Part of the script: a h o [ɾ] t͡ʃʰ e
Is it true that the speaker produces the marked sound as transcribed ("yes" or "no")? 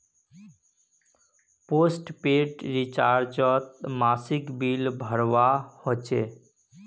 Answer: no